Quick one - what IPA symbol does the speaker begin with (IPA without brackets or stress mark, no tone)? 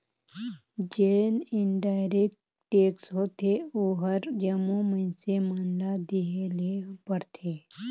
d͡ʒ